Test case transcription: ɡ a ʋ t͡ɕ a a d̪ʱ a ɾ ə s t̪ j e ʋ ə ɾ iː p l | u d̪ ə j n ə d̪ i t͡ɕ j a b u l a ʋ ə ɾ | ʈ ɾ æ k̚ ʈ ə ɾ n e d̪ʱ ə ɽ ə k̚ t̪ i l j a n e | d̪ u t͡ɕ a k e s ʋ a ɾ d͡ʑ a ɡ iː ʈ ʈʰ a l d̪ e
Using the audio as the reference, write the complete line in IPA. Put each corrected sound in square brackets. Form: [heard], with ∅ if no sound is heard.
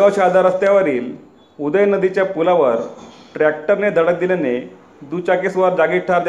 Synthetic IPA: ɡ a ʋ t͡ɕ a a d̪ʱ a ɾ ə s t̪ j [a] ʋ ə ɾ iː [∅] l | u d̪ ə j n ə d̪ i t͡ɕ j a [p] u l a ʋ ə ɾ | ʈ ɾ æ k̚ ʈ ə ɾ n e d̪ʱ ə ɽ ə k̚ [d̪] i l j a n e | d̪ u t͡ɕ a k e s ʋ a ɾ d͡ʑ a ɡ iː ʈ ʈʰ a [ɾ] d̪ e